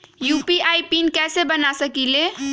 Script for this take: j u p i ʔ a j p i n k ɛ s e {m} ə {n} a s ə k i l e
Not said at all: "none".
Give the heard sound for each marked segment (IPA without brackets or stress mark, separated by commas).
b, n